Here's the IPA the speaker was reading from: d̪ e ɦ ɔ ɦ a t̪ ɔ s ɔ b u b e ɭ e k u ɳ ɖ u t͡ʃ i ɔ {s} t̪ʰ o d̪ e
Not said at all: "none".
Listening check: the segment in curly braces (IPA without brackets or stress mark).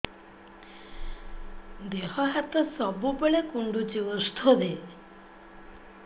s